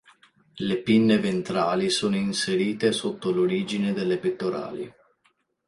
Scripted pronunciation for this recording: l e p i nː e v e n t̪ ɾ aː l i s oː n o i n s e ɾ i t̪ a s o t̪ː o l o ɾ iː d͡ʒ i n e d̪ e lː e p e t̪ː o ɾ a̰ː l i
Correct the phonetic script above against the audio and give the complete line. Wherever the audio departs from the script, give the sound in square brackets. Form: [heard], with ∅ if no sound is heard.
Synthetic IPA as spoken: l e p i nː e v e n t̪ ɾ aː l i s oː n o i n s e ɾ [iː] t̪ [e] s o t̪ː o l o ɾ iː d͡ʒ i n e d̪ e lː e p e t̪ː o ɾ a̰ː l i